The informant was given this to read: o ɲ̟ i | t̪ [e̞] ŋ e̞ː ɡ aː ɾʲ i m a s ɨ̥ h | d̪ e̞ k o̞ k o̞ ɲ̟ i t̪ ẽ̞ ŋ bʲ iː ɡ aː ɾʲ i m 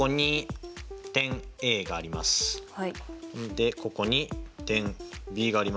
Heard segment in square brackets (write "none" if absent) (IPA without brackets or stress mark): ẽ̞